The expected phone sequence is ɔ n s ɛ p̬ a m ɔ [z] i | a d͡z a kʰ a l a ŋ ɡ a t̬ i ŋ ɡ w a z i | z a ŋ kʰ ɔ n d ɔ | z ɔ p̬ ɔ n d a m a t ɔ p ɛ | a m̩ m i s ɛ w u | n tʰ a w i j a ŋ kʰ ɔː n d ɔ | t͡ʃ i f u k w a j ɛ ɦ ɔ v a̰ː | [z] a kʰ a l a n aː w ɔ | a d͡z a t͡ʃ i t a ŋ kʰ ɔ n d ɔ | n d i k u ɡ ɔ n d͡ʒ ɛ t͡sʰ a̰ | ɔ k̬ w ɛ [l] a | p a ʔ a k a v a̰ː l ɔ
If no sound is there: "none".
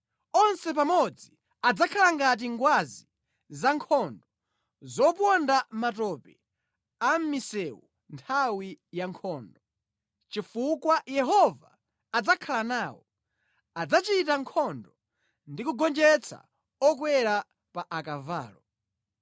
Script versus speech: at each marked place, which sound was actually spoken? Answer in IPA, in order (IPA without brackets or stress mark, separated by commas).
d͡z, d͡z, ɾ